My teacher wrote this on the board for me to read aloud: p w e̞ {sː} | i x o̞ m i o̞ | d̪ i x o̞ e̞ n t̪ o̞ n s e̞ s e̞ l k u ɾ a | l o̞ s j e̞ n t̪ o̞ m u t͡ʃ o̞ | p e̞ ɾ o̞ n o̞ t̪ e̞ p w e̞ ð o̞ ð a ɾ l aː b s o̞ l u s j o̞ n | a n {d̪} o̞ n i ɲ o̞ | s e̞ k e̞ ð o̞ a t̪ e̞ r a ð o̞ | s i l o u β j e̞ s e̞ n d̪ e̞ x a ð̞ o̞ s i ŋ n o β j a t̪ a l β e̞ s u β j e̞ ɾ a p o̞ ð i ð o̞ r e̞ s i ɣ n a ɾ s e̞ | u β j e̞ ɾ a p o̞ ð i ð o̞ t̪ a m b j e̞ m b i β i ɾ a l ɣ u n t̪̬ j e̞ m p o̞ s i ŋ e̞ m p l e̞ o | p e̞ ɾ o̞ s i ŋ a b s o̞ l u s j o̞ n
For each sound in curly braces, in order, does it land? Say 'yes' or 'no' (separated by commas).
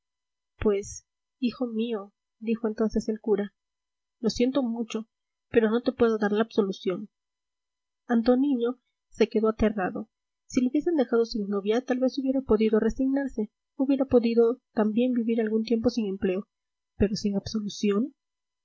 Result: no, no